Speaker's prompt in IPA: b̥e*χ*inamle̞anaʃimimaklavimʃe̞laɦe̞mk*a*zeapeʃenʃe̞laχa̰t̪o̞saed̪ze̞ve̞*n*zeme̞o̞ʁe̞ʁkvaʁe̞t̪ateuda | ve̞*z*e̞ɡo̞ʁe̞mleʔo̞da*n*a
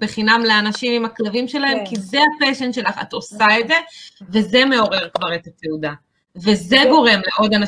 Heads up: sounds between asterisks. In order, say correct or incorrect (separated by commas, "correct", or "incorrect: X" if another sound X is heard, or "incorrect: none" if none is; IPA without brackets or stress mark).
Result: correct, incorrect: i, incorrect: none, correct, correct